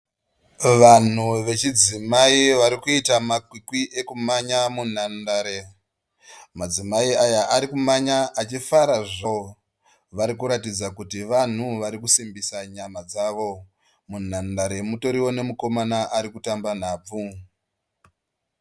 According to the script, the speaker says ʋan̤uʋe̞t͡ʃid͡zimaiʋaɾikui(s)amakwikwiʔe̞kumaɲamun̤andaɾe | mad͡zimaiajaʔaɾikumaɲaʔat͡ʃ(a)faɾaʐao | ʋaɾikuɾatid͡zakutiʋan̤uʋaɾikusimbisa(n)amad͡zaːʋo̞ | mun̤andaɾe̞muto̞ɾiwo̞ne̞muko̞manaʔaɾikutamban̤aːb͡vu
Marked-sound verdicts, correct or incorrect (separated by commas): incorrect, incorrect, incorrect